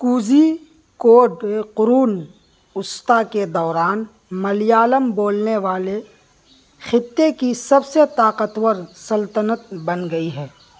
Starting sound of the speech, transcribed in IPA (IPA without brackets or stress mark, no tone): k